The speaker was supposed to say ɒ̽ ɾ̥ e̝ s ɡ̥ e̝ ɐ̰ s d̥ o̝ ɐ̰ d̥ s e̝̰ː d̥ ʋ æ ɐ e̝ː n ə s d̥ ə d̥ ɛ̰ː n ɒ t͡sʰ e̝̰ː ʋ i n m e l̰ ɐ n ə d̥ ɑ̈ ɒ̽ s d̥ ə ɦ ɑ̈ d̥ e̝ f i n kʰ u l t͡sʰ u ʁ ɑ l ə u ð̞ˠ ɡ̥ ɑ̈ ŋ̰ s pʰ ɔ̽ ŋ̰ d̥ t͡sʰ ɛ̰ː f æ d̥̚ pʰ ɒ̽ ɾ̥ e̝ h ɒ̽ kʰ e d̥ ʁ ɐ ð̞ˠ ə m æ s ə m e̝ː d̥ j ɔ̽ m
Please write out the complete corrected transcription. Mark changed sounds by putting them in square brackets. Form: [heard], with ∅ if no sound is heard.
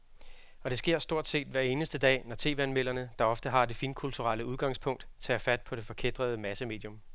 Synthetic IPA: ɒ̽ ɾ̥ e̝ s ɡ̥ e̝ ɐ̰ s d̥ o̝ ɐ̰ d̥ s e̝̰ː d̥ ʋ æ ɐ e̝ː n ə s d̥ ə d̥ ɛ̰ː n ɒ t͡sʰ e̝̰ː ʋ [æ] n m e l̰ ɐ n ə d̥ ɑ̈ ɒ̽ [f] d̥ ə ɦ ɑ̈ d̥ e̝ f i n kʰ u l t͡sʰ u ʁ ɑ l ə u ð̞ˠ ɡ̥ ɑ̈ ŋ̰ s pʰ ɔ̽ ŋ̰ d̥ t͡sʰ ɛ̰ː f æ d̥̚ pʰ ɒ̽ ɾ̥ e̝ [f] ɒ̽ kʰ e d̥ ʁ ɐ ð̞ˠ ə m æ s ə m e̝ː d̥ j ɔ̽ m